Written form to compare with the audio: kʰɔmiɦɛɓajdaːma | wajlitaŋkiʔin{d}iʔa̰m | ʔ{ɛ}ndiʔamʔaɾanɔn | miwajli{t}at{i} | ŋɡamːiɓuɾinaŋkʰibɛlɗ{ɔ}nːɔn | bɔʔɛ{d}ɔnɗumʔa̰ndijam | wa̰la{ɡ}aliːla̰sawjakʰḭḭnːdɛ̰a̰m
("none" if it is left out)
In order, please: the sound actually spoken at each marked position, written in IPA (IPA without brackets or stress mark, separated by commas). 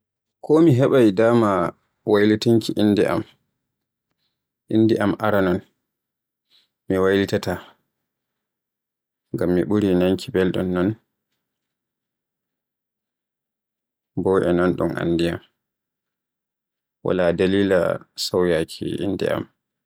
d, i, t, a, ɔ, n, d